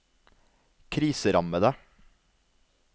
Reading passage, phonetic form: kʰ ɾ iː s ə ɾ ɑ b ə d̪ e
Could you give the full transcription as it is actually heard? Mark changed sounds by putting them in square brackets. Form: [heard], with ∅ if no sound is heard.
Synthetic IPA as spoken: kʰ ɾ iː s ə ɾ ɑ [m] ə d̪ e